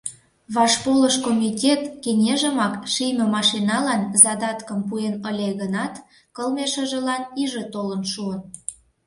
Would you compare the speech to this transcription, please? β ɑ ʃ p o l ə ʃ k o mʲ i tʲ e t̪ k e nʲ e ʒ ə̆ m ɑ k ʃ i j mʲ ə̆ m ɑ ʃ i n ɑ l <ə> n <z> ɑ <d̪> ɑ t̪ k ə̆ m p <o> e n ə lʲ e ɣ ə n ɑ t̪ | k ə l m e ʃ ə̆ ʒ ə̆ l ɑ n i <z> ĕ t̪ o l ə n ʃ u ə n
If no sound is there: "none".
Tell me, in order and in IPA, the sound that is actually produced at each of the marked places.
ɑ, z, d̪, u, ʒ

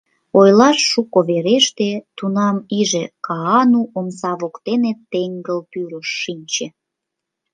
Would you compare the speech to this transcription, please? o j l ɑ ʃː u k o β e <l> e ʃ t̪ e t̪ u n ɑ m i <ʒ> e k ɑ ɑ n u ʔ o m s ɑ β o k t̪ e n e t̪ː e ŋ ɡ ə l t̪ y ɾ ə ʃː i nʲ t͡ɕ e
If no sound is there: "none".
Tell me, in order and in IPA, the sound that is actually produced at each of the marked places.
ɾ, ʒ

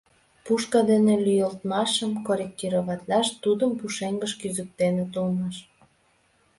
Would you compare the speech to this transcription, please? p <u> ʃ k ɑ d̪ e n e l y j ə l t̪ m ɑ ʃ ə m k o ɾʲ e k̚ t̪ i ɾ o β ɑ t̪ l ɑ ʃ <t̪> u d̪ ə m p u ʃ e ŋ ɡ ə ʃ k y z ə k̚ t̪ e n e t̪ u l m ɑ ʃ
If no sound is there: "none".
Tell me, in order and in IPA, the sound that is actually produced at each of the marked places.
u, t̪

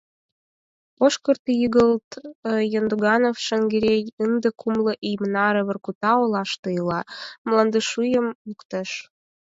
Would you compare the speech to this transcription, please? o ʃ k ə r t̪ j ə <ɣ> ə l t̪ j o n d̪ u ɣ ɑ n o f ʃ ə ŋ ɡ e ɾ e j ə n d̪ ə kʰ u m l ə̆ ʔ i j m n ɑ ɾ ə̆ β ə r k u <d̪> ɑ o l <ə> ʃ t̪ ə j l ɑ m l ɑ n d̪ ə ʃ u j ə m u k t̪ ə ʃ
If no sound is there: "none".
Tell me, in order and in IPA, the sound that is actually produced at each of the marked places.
ɣ, t̪, ɑ

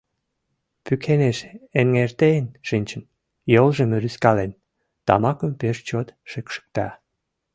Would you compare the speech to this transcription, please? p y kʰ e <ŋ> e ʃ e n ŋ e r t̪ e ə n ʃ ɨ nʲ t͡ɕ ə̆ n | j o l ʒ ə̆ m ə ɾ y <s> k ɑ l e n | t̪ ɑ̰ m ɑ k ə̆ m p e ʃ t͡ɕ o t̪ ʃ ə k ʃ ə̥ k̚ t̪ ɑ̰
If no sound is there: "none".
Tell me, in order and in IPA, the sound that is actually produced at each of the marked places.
n, s

